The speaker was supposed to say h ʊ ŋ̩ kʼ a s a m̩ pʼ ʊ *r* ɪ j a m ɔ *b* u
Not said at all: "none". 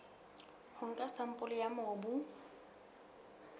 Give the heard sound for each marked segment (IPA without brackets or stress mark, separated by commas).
l, b